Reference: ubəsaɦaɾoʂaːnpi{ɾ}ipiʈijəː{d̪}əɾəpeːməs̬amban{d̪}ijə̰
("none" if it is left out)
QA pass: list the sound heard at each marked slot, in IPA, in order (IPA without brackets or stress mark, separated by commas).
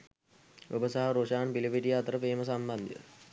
l, t̪, d̪